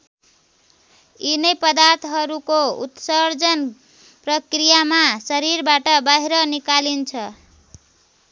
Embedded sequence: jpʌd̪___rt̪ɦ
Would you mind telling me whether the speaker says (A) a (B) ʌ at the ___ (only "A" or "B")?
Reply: A